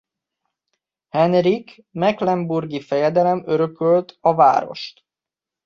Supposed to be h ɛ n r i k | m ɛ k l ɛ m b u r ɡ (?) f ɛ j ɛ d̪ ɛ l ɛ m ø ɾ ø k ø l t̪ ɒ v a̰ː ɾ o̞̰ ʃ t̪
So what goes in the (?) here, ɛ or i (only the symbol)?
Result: i